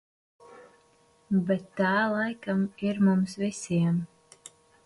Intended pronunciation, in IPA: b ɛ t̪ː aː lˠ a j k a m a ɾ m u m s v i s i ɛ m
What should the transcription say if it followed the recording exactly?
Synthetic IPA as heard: b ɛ t̪ː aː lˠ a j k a m i ɾ m u m s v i s i ɛ m